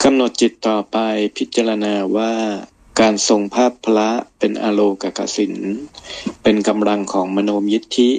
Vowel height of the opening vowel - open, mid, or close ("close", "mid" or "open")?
open